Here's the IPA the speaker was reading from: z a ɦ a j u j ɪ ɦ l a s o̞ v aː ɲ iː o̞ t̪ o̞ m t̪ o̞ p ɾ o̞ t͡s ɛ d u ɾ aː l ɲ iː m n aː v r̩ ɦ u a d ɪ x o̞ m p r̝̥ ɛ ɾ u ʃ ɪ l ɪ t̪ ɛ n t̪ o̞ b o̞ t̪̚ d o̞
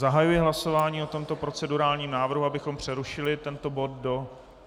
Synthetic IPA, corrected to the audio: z a ɦ a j u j ɪ ɦ l a s o̞ v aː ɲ iː o̞ t̪ o̞ m t̪ o̞ p ɾ o̞ t͡s ɛ d u ɾ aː l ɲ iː m n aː v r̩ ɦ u a b ɪ x o̞ m p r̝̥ ɛ ɾ u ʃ ɪ l ɪ t̪ ɛ n t̪ o̞ b o̞ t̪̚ d o̞